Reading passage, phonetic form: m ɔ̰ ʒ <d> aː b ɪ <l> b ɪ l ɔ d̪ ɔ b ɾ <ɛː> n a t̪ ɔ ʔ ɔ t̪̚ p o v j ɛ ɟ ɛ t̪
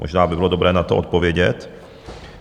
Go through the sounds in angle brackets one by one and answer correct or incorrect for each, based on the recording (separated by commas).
incorrect, incorrect, correct